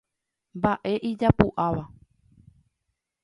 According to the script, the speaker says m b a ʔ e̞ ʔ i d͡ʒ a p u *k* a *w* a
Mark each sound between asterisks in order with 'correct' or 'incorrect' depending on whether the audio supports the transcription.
incorrect, incorrect

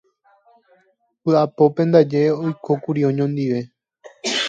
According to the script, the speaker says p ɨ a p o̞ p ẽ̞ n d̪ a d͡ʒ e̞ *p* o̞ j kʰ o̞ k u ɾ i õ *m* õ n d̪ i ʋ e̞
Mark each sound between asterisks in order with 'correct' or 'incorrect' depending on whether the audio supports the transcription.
incorrect, incorrect

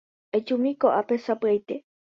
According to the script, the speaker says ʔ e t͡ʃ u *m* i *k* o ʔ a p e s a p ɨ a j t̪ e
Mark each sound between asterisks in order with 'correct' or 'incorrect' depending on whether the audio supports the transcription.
correct, correct

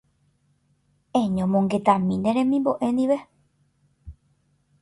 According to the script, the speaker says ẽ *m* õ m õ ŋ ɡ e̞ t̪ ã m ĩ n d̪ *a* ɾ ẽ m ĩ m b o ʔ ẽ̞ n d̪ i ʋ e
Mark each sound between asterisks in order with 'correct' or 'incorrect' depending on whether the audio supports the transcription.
incorrect, incorrect

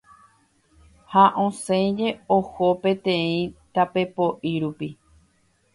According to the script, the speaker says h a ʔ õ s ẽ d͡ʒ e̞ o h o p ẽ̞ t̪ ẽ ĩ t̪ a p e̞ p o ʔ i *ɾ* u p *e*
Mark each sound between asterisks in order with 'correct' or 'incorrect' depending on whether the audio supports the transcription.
correct, incorrect

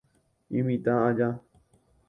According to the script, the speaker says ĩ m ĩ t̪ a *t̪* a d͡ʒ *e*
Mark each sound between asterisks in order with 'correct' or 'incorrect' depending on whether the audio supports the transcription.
incorrect, incorrect

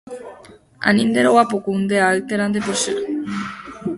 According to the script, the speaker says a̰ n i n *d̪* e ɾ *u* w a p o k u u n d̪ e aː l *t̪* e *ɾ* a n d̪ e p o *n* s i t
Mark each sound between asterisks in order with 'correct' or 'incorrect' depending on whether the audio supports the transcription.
correct, incorrect, correct, correct, incorrect

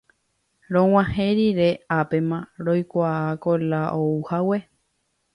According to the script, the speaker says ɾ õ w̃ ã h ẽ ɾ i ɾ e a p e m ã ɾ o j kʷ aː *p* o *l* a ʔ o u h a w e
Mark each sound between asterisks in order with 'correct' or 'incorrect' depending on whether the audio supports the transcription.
incorrect, correct

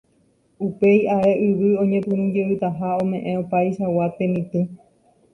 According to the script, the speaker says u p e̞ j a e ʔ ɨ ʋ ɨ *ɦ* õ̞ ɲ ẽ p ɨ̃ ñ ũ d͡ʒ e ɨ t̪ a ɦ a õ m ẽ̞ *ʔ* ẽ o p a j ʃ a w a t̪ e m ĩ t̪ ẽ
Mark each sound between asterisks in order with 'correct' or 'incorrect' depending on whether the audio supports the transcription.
incorrect, correct

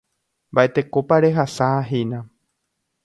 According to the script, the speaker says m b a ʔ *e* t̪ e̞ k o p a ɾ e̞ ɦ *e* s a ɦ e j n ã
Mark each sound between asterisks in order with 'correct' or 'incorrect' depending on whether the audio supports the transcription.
correct, incorrect

